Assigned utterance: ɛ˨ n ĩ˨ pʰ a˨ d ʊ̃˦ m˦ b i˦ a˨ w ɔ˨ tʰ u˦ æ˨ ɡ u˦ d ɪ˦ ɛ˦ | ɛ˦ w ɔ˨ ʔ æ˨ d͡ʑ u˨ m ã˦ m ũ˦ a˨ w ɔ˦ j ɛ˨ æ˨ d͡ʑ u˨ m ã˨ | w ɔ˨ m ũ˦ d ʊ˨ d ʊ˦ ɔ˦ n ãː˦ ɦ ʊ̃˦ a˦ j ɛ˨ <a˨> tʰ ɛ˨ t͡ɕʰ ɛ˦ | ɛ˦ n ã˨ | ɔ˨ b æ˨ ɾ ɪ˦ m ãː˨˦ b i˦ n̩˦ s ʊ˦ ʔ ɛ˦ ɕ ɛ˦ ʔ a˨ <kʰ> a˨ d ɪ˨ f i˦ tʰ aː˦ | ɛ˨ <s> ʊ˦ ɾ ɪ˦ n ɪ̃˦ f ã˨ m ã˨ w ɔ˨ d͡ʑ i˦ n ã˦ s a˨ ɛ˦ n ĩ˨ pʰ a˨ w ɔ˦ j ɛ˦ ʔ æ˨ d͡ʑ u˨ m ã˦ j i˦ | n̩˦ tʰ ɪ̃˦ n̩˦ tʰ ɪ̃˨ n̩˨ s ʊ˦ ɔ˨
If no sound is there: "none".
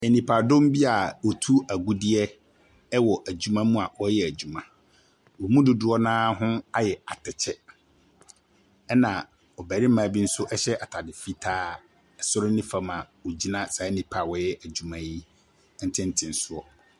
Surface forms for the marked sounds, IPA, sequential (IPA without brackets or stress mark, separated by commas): a˨, tʰ, s